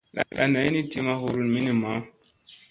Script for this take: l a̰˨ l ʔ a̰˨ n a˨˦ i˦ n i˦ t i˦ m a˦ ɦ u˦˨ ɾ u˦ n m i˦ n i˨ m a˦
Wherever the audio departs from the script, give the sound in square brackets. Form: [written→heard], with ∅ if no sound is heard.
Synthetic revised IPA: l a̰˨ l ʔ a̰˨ n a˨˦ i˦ n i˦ t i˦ m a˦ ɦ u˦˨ ɾ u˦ n m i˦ n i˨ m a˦